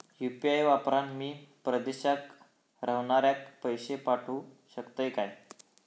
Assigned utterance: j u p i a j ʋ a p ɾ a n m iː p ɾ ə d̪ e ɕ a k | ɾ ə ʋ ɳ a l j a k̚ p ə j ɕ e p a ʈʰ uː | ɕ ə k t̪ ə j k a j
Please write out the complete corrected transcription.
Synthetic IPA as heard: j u p i a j ʋ a p ɾ a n m iː p ɾ ə d̪ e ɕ a k | ɾ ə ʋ ɳ a ɾ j a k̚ p ə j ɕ e p a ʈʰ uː | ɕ ə k t̪ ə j k a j